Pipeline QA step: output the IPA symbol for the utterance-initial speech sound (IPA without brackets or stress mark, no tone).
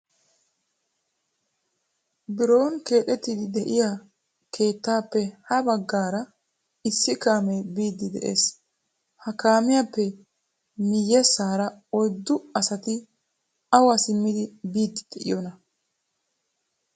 b